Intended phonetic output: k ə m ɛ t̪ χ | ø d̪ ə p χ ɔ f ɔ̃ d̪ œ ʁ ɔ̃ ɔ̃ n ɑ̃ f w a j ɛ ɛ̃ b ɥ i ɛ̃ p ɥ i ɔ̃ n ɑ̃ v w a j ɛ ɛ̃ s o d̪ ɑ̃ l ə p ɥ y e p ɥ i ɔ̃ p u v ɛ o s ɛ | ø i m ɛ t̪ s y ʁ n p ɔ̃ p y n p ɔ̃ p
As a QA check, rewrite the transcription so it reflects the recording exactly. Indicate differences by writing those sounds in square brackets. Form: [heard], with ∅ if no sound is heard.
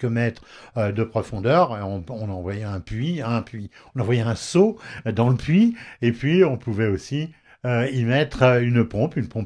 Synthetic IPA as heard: k ə m ɛ t̪ χ | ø d̪ ə p χ ɔ f ɔ̃ d̪ œ ʁ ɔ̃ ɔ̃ n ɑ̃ [v] w a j ɛ ɛ̃ [p] ɥ i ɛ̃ p ɥ i ɔ̃ n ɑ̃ v w a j ɛ ɛ̃ s o d̪ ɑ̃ l ə p ɥ [i] e p ɥ i ɔ̃ p u v ɛ o s [i] | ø i m ɛ t̪ [χ] y [∅] n p ɔ̃ p y n p ɔ̃ p